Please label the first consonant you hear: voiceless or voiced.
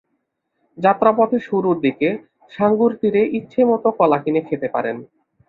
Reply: voiced